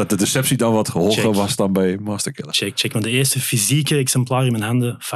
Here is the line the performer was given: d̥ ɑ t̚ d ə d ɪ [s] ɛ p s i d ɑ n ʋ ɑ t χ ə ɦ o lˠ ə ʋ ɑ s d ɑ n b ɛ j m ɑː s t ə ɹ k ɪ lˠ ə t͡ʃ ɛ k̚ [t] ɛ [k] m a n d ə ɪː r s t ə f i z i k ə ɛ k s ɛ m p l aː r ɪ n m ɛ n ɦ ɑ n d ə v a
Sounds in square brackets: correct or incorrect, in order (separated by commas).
correct, incorrect, correct